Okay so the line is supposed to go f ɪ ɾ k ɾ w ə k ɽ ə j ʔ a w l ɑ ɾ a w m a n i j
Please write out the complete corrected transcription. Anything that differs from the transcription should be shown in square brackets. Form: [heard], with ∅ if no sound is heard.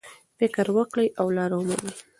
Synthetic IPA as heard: f ɪ [∅] k ɾ w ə k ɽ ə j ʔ a w l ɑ ɾ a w m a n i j